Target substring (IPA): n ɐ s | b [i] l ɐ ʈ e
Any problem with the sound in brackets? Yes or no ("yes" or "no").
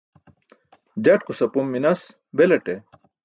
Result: yes